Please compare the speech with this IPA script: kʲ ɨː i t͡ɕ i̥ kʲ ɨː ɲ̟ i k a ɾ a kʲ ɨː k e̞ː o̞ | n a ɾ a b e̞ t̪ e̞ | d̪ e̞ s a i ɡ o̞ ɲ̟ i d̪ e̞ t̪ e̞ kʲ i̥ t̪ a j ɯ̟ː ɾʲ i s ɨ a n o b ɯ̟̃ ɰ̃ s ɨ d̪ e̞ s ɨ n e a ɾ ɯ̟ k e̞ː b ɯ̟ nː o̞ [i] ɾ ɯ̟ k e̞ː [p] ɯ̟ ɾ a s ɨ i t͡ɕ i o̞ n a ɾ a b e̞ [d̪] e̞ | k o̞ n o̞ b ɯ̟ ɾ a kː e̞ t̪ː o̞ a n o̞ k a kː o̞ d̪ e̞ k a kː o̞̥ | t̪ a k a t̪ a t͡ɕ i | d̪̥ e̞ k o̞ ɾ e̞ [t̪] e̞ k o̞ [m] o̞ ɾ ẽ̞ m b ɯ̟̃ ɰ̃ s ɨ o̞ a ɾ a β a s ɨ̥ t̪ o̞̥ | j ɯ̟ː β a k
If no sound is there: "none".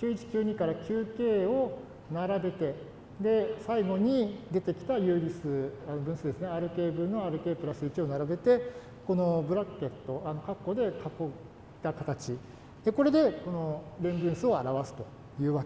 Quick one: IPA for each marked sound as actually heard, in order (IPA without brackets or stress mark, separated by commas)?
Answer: a, p, t̪, d̪, n